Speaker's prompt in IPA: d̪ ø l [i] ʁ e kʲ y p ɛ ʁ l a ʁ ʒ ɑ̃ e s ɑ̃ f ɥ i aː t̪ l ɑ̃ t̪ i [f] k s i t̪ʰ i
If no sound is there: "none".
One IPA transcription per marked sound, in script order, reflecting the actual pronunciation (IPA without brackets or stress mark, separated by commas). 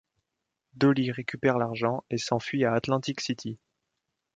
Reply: i, none